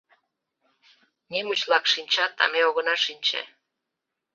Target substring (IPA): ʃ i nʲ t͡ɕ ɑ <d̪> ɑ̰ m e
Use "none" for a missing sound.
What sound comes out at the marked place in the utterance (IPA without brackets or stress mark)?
t̪